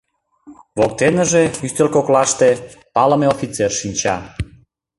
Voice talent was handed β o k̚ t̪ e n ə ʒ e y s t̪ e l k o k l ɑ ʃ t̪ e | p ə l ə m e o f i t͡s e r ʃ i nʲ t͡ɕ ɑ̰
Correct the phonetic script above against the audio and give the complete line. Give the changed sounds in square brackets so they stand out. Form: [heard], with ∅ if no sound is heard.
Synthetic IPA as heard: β o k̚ t̪ e n ə ʒ e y s t̪ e l k o k l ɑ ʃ t̪ e | p [ɑ] l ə m e o f i t͡s e r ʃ i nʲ t͡ɕ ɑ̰